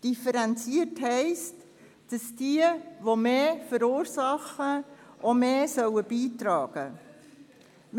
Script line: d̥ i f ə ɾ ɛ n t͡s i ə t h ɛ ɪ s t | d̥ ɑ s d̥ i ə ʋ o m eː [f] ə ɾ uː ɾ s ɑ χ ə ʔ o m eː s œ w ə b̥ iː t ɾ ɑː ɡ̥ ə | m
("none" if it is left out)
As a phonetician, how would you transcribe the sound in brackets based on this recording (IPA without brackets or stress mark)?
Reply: f